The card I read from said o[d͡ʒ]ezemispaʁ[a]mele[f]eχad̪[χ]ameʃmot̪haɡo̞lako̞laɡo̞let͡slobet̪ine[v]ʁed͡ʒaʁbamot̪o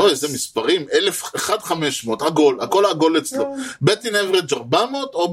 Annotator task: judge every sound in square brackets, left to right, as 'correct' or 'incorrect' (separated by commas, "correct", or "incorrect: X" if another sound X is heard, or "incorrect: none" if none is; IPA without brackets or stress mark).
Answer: incorrect: none, incorrect: i, correct, correct, correct